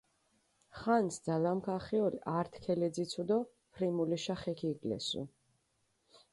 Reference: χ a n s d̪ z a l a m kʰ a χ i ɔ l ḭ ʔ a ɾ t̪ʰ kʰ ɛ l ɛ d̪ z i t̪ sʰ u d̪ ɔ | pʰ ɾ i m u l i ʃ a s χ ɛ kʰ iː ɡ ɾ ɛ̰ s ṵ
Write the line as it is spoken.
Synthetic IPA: χ a n s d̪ z a l a m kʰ a χ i ɔ l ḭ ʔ a ɾ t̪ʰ kʰ ɛ l ɛ d̪ z i t̪ sʰ u d̪ ɔ | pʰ ɾ i m u l i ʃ a χ ɛ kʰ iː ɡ l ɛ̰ s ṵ